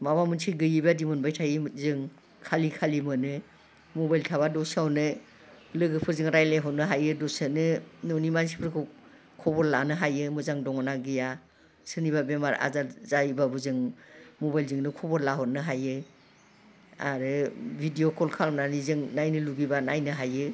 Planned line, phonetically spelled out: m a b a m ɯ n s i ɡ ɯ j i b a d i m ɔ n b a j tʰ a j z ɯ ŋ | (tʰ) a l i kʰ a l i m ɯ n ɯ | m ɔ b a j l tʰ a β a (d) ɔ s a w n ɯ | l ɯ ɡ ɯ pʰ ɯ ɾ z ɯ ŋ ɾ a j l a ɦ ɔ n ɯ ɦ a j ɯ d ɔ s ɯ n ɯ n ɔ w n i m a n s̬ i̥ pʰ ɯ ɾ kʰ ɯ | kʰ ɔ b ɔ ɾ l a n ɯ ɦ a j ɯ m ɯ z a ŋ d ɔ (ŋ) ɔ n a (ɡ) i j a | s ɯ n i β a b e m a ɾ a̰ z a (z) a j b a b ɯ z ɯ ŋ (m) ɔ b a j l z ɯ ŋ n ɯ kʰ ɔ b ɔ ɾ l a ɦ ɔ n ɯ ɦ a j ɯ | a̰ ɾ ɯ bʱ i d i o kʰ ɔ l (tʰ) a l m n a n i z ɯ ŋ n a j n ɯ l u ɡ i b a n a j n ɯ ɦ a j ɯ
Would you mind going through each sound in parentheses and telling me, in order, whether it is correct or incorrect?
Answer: incorrect: kʰ, correct, correct, correct, correct, correct, incorrect: kʰ

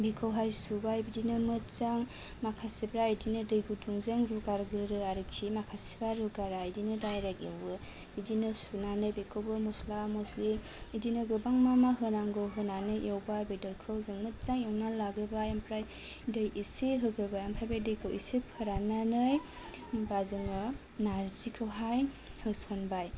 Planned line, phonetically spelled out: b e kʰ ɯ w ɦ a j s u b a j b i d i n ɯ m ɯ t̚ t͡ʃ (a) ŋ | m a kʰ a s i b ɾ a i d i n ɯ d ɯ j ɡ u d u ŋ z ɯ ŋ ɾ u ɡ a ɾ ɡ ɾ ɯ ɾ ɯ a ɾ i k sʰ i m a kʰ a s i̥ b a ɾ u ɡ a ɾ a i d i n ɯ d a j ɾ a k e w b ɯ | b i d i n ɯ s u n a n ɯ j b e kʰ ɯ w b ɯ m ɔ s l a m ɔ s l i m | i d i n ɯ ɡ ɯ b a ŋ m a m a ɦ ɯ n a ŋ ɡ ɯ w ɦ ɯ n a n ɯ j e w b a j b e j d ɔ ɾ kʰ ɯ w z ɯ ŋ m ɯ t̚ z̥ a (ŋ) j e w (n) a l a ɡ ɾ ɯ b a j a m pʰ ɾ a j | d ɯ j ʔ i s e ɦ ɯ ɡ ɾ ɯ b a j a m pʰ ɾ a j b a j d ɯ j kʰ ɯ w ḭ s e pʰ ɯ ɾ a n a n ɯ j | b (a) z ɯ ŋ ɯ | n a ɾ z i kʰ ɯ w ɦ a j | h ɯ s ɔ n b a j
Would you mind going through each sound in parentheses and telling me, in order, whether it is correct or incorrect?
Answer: correct, correct, correct, correct

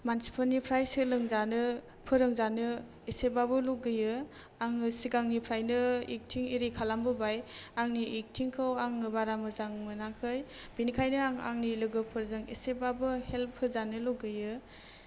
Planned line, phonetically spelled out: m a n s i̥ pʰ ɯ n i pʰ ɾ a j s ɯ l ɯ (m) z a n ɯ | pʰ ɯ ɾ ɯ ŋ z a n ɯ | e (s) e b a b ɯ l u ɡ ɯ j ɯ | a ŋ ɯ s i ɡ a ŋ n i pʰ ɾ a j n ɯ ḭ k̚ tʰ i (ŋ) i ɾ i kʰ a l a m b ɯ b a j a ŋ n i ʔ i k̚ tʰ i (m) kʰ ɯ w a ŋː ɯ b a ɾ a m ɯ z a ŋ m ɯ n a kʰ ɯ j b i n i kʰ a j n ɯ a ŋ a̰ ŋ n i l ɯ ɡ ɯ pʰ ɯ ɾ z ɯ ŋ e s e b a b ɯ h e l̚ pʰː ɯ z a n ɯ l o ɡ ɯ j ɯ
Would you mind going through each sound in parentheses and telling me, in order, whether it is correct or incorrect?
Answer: incorrect: ŋ, correct, correct, incorrect: ŋ

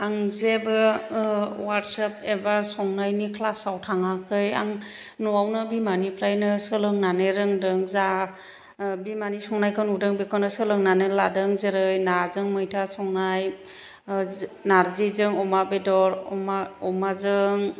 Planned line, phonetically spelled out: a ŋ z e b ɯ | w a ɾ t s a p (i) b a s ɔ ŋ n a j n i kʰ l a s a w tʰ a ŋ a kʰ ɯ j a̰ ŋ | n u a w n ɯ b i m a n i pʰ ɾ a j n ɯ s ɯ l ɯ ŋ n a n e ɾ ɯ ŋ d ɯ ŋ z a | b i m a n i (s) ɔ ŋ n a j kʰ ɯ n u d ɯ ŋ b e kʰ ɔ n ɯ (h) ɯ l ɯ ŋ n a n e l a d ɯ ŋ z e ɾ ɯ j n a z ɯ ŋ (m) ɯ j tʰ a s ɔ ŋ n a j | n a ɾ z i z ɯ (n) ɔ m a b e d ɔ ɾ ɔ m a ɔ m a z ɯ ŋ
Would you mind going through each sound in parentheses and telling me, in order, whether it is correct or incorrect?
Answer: incorrect: e, correct, incorrect: s, correct, incorrect: ŋ

